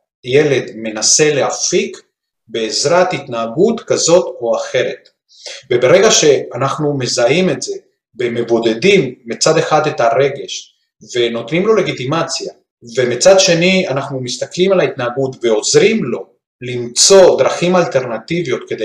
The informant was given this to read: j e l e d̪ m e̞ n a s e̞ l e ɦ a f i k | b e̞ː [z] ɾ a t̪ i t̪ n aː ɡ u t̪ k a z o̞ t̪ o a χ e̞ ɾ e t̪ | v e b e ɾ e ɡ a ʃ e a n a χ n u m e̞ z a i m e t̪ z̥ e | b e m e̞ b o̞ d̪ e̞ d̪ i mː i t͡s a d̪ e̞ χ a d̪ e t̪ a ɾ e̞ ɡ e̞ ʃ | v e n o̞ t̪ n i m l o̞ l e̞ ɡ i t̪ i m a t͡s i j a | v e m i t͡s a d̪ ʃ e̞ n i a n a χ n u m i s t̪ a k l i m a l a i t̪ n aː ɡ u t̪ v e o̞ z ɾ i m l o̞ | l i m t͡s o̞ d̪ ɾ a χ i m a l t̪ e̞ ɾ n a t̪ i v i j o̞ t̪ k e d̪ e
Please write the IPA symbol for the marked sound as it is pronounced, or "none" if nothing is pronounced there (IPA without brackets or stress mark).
z